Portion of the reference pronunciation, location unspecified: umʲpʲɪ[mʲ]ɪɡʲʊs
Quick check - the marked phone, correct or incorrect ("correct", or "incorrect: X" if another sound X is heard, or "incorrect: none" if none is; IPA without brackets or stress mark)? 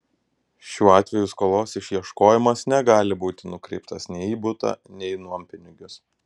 incorrect: nʲ